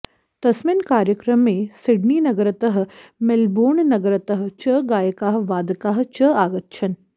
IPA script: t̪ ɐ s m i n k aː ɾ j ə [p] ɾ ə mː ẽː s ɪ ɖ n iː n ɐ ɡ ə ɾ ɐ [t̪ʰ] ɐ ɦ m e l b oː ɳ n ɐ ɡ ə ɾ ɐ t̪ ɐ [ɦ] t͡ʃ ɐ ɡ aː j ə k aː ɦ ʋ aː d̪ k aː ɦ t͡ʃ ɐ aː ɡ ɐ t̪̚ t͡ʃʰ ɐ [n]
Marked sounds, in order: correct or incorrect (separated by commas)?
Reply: incorrect, incorrect, correct, correct